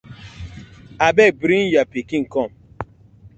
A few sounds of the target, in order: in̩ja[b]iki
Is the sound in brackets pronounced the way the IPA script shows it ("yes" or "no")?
no